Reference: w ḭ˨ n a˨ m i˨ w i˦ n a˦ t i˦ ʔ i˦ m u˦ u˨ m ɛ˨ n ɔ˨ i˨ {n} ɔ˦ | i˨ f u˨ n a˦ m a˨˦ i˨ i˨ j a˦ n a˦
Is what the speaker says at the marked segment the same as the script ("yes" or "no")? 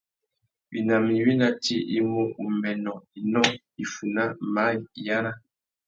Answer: yes